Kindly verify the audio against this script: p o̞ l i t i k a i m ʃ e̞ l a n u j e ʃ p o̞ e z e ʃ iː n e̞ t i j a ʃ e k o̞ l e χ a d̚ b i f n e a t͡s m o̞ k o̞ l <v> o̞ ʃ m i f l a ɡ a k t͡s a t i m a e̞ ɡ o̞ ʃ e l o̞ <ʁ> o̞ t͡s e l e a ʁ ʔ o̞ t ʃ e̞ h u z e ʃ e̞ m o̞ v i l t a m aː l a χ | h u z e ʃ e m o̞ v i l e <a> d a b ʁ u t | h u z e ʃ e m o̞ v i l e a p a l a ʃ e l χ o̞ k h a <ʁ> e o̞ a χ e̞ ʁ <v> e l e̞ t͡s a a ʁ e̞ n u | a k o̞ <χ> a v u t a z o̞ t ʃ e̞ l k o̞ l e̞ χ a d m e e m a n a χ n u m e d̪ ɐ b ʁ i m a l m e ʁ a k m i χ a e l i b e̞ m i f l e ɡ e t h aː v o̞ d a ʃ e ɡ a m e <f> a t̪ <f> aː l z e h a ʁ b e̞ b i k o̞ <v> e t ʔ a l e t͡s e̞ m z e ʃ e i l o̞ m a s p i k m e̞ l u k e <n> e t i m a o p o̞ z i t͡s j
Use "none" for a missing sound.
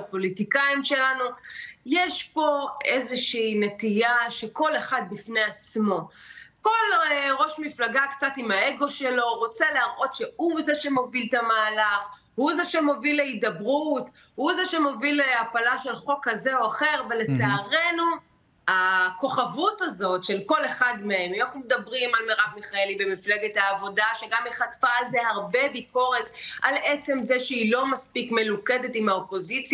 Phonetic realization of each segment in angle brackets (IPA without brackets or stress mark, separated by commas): ʁ, ʁ, i, z, v, χ, χ, f, ʁ, d